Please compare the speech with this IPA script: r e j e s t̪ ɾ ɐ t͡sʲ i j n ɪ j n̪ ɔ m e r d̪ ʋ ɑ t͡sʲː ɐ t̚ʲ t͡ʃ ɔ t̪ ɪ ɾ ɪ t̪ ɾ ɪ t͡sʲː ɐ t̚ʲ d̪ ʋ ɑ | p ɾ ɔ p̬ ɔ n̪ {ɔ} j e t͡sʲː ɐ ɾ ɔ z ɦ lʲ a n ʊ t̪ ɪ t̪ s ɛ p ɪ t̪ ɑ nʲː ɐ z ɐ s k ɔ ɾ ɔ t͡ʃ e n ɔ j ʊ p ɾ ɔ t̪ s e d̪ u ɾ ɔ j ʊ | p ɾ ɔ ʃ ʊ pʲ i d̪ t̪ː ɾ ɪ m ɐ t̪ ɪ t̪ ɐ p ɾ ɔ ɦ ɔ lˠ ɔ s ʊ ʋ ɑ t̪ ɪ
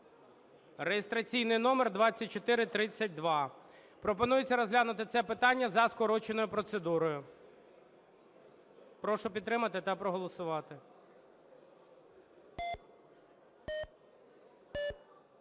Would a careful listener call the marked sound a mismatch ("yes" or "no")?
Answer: yes